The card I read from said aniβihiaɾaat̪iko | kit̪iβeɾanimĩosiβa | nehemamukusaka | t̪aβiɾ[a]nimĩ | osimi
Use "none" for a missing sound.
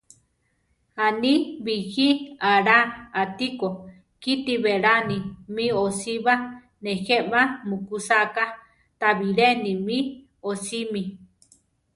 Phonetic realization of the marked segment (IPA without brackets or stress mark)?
e